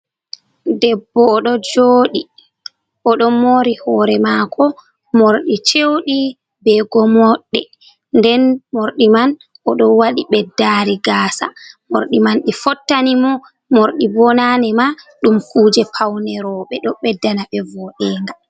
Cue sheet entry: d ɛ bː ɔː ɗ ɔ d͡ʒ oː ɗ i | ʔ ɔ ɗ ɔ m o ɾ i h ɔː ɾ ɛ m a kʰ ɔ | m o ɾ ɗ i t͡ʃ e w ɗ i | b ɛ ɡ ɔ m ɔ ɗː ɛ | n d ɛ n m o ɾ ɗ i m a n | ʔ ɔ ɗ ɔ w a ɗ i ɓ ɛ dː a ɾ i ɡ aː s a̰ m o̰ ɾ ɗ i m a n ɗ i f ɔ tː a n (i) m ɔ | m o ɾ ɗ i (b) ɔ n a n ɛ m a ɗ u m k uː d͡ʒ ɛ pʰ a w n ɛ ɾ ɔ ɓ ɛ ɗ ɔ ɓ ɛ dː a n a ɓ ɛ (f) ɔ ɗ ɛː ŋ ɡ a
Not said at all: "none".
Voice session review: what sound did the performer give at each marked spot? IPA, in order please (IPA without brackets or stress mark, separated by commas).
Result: i, b, v